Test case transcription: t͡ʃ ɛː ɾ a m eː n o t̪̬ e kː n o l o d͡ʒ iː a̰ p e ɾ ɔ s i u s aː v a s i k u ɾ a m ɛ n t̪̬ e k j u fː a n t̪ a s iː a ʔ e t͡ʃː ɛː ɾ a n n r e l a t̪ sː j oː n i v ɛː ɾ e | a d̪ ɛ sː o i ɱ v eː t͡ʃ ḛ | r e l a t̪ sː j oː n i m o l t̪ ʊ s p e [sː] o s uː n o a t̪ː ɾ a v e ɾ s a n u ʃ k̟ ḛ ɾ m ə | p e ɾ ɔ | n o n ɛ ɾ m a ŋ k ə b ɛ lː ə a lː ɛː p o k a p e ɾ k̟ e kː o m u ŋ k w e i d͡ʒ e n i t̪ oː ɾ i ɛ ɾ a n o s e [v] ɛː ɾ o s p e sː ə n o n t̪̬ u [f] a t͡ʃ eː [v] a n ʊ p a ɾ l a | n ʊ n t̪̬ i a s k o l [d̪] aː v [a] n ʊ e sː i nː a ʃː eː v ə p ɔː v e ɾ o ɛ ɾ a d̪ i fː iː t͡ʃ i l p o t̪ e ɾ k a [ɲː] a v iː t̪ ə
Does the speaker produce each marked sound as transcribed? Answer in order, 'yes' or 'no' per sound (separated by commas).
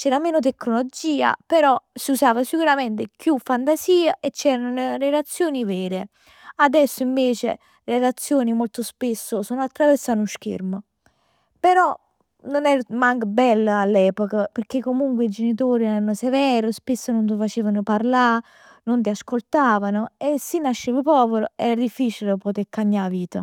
yes, yes, yes, yes, no, yes, yes